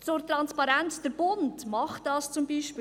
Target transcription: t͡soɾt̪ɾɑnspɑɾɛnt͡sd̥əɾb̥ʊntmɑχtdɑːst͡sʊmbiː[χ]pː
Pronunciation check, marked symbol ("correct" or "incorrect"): incorrect